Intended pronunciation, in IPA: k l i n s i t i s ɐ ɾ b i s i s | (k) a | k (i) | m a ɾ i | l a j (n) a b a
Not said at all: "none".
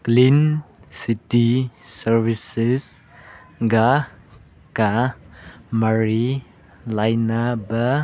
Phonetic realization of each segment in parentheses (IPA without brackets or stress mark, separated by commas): ɡ, a, n